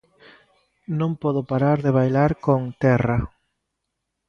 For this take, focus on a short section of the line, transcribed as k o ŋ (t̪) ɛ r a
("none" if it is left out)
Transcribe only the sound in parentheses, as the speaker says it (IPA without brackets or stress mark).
t̪